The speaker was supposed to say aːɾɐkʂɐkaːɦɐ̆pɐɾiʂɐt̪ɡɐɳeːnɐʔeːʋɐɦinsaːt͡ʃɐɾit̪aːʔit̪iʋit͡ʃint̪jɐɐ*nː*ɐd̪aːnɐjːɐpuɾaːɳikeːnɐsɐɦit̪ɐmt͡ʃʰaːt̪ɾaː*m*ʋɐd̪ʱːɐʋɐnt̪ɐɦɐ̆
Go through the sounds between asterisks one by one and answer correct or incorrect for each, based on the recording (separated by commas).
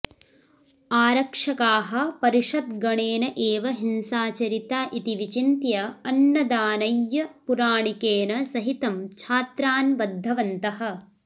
correct, incorrect